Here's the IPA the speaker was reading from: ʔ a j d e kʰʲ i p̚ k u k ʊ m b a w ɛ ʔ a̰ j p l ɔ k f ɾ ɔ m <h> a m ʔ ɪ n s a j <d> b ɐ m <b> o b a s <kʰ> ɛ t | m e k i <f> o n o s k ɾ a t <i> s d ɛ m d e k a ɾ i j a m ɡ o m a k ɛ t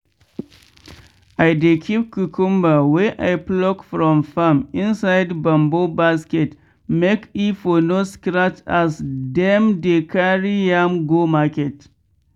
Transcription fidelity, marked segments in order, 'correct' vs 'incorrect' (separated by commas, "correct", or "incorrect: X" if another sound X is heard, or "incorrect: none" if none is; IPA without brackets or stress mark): incorrect: f, correct, correct, incorrect: k, correct, incorrect: a